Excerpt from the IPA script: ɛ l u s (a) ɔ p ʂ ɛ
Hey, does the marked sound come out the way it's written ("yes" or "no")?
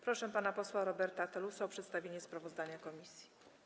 yes